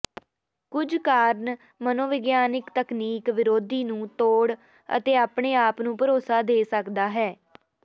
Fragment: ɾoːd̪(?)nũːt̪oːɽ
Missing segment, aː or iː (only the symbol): iː